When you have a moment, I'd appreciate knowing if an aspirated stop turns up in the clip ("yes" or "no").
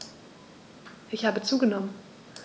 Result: no